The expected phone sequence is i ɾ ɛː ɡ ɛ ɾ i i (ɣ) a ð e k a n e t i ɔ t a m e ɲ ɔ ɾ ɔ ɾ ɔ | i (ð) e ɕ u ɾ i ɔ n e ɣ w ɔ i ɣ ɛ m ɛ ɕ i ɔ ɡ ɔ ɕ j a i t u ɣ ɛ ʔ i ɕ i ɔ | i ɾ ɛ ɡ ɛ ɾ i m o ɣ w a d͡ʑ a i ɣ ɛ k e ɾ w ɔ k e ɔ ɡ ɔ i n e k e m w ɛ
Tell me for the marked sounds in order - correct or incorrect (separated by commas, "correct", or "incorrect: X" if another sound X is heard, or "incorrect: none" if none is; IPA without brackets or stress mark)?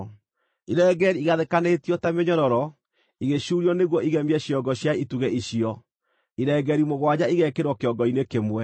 correct, incorrect: ɣ